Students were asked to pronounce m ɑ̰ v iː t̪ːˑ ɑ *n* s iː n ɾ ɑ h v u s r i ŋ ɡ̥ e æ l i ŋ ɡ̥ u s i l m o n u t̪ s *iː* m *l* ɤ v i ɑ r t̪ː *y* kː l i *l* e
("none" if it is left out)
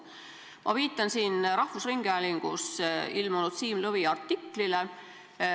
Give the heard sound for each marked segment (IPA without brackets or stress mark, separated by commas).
n, iː, l, i, l